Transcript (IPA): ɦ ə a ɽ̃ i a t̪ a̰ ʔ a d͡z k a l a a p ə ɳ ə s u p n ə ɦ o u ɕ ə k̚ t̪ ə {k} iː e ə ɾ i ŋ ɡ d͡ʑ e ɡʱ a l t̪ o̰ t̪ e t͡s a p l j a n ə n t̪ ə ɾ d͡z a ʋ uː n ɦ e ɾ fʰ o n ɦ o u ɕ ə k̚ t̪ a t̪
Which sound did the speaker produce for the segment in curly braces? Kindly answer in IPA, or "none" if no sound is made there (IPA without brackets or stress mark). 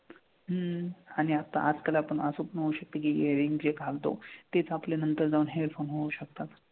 k